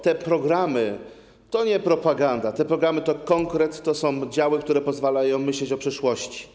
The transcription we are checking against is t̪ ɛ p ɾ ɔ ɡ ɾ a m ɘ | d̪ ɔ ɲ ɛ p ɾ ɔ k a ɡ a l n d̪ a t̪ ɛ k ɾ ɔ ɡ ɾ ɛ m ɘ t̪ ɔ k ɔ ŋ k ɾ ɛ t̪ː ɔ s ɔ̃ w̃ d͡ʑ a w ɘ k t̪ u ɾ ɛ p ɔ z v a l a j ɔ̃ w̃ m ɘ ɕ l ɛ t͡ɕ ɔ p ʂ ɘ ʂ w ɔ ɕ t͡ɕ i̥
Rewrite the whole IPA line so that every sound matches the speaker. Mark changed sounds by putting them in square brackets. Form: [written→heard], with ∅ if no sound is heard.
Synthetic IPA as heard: t̪ ɛ p ɾ ɔ ɡ ɾ a m ɘ | [d̪→t̪] ɔ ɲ ɛ p ɾ ɔ [k→p] a ɡ a [l→∅] n d̪ a t̪ ɛ [k→p] ɾ ɔ ɡ ɾ [ɛ→a] m ɘ t̪ ɔ k ɔ ŋ k ɾ ɛ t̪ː ɔ s ɔ̃ w̃ d͡ʑ a w ɘ k t̪ u ɾ ɛ p ɔ z v a l a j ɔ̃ w̃ m ɘ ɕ l ɛ t͡ɕ ɔ p ʂ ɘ ʂ w ɔ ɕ t͡ɕ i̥